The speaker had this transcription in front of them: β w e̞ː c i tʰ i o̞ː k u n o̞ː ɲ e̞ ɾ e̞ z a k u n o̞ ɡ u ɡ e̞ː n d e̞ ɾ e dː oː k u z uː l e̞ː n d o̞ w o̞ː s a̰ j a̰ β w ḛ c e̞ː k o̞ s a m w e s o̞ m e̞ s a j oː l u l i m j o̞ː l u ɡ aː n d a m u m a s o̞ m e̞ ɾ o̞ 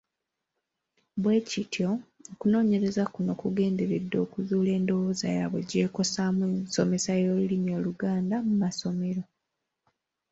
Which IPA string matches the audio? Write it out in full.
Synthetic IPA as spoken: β w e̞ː c i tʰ j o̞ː k u n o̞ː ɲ e̞ ɾ e̞ z a k u n o̞ k u ɡ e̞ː n d e̞ ɾ e dː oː k u z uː l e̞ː n d o̞ w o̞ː z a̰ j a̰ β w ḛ ɟ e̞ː k o̞ s a m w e s o̞ m e̞ s a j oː l u l i m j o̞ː l u ɡ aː n d a m u m a s o̞ m e̞ ɾ o̞